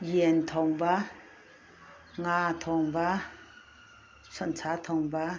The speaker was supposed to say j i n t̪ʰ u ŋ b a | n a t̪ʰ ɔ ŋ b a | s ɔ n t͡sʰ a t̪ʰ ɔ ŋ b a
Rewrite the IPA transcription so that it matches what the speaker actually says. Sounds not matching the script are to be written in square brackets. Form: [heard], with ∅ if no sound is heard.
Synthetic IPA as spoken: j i n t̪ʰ [ɔ] ŋ b a | [ŋ] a t̪ʰ ɔ ŋ b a | s ɔ n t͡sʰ a t̪ʰ ɔ ŋ b a

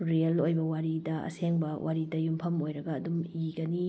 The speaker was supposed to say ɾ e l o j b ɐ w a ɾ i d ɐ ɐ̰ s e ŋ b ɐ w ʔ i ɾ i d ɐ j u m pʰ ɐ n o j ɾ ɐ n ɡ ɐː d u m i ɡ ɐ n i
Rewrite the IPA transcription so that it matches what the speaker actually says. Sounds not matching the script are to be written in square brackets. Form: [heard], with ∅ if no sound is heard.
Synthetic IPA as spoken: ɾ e l o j b ɐ w a ɾ i d ɐ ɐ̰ s e ŋ b ɐ w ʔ [a] ɾ i d ɐ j u m pʰ ɐ [m] o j ɾ ɐ [∅] ɡ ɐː d u m i ɡ ɐ n i

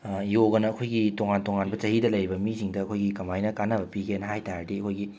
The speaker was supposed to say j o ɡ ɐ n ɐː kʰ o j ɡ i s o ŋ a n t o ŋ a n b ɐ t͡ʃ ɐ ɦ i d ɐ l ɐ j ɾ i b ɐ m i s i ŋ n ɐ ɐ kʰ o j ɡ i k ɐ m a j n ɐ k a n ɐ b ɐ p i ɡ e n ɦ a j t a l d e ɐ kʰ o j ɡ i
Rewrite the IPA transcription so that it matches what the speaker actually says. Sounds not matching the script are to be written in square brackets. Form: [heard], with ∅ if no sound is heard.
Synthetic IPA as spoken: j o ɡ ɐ n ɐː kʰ o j ɡ i [t] o ŋ a n t o ŋ a n b ɐ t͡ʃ ɐ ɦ i d ɐ l ɐ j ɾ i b ɐ m i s i ŋ [d] ɐ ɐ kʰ o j ɡ i k ɐ m a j n ɐ k a n ɐ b ɐ p i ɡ e n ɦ a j t a [ɾ] d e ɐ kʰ o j ɡ i

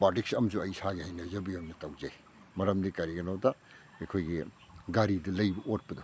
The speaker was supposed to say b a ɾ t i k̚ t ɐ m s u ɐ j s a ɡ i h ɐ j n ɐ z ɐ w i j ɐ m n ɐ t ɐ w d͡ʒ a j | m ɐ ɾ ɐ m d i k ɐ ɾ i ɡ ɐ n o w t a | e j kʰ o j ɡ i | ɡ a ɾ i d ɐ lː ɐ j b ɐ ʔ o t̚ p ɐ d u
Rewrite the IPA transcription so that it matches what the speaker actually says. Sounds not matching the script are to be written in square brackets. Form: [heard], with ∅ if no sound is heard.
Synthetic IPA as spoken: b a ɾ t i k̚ [s] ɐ m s u ɐ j s a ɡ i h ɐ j n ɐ z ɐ [b] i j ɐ m n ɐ t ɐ w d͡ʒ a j | m ɐ ɾ ɐ m d i k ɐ ɾ i ɡ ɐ n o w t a | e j kʰ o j ɡ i | ɡ a ɾ i d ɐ [l] ɐ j b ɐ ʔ o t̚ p ɐ d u

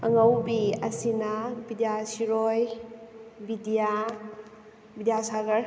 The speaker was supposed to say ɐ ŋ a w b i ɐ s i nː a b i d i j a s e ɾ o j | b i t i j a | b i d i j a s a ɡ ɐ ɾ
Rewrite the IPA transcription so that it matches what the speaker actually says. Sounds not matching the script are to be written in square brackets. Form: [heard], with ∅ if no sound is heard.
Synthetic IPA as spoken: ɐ ŋ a w b i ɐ s i [n] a b i d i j a s [i] ɾ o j | b i [d] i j a | b i d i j a s a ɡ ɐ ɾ

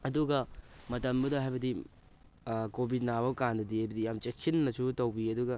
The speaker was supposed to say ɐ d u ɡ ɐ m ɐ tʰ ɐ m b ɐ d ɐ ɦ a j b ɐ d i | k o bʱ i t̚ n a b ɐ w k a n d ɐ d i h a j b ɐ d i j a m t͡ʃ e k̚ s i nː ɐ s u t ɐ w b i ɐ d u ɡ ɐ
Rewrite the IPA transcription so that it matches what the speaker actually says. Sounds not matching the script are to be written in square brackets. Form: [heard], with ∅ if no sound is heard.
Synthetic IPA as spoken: ɐ d u ɡ ɐ m ɐ [t] ɐ m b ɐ d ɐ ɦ a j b ɐ d i | k o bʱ i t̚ n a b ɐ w k a n d ɐ d i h a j b ɐ d i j a m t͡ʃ e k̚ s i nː ɐ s u t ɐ w b i ɐ d u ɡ ɐ

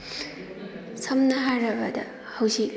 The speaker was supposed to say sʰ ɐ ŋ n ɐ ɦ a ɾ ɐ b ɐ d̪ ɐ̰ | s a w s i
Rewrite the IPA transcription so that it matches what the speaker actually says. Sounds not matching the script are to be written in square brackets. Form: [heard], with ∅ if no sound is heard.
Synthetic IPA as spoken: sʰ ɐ [m] n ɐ ɦ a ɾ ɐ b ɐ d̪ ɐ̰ | [h] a w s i

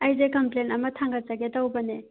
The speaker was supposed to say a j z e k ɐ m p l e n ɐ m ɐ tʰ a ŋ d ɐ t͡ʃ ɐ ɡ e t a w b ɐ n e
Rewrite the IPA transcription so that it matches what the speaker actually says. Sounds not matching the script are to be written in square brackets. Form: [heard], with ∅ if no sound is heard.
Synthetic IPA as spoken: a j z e k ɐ m p l e n ɐ m ɐ tʰ a ŋ [ɡ] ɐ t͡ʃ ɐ ɡ e t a w b ɐ n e

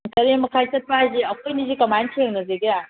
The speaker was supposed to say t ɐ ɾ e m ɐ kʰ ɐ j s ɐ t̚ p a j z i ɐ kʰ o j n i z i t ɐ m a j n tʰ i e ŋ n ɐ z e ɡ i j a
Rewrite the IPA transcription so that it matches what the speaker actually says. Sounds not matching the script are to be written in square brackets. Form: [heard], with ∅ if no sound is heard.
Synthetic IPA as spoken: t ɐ ɾ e m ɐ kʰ [a] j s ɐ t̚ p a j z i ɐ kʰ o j n i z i [k] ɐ m a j n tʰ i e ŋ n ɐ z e ɡ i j a

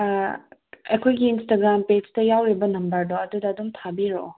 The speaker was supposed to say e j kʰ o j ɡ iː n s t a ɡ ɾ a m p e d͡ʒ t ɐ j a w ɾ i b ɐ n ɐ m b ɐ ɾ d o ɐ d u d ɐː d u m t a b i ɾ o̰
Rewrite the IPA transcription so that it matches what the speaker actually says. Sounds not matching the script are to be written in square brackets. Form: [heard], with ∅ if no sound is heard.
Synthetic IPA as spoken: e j kʰ o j ɡ iː n s t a ɡ ɾ a m p e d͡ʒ t ɐ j a w ɾ i b ɐ n ɐ m b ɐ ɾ d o ɐ d u d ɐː d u m [tʰ] a b i ɾ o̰

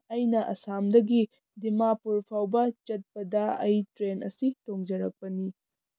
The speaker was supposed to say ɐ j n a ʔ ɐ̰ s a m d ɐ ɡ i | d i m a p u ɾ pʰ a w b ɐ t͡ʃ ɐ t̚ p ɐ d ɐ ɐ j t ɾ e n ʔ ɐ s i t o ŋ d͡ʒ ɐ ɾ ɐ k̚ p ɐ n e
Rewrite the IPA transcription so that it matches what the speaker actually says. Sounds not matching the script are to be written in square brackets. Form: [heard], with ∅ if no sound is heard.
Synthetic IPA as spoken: ɐ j n [ɐ] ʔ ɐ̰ s a m d ɐ ɡ i | d i m a p u ɾ pʰ a w b ɐ t͡ʃ ɐ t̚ p ɐ d ɐ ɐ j t ɾ e n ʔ ɐ s i t o ŋ d͡ʒ ɐ ɾ ɐ k̚ p ɐ n [i]

